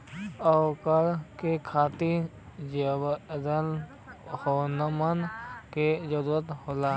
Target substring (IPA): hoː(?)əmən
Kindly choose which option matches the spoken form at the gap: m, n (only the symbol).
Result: n